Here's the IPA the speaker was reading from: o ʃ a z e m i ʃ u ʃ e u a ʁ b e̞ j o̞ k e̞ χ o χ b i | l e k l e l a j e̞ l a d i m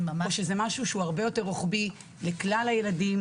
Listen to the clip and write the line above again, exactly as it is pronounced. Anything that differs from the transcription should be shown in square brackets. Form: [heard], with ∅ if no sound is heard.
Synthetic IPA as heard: o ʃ [e] z e m [a] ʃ u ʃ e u a ʁ b e̞ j o̞ [t] e̞ [ʁ] o χ b i | l e k l [a] l a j e̞ l a d i m